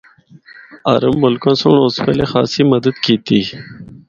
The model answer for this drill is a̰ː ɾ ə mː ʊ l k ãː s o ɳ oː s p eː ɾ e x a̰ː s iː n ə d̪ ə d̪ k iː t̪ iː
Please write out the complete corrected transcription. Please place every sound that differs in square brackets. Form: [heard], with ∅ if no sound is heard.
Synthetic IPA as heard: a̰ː ɾ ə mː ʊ l k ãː s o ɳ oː s p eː [l] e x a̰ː s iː [m] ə d̪ ə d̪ k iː t̪ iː